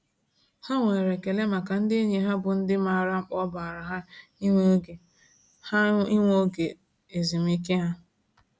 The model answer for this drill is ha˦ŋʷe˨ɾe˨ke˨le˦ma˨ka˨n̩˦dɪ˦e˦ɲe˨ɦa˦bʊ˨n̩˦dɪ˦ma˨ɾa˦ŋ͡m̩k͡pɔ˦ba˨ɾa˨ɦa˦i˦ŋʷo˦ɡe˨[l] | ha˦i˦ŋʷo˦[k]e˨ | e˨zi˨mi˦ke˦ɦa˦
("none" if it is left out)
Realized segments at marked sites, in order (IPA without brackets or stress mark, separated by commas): none, ɡ